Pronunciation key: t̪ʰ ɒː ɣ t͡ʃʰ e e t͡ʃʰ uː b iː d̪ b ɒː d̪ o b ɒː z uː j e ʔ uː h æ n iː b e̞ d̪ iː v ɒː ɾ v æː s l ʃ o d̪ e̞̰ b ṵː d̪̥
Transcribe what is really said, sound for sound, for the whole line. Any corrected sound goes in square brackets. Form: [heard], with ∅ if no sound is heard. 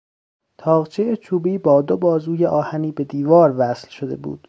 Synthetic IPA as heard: t̪ʰ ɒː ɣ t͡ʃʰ e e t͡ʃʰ uː b iː [∅] b ɒː d̪ o b ɒː z uː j e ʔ [ɒː] h æ n iː b e̞ d̪ iː v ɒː ɾ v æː s l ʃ o d̪ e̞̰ b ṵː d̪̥